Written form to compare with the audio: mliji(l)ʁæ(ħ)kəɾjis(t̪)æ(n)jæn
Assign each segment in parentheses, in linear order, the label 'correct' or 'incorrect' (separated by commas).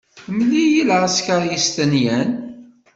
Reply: correct, incorrect, correct, correct